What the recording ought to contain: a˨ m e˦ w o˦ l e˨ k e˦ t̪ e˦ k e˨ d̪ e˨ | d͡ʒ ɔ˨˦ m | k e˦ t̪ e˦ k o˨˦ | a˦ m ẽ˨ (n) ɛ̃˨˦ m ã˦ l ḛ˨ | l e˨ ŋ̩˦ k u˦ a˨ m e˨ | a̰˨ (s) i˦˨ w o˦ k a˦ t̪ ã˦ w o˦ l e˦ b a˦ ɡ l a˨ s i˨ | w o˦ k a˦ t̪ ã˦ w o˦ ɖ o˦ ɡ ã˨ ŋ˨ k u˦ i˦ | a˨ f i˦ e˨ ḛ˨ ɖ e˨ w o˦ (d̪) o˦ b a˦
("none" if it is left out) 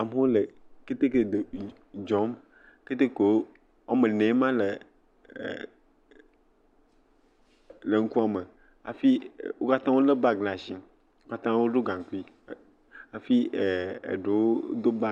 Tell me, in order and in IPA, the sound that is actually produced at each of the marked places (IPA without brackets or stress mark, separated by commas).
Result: n, f, d̪